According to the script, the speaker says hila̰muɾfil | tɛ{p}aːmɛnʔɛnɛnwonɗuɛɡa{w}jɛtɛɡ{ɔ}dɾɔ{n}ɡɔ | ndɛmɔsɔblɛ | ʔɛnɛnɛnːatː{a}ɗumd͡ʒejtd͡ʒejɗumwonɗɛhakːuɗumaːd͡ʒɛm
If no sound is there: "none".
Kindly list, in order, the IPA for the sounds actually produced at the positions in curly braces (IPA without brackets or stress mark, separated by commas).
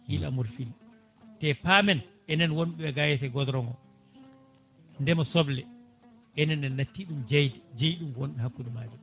p, none, ɔ, ŋ, i